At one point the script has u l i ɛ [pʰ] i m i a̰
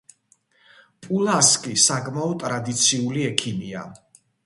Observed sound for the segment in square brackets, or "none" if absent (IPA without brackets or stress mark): kʰ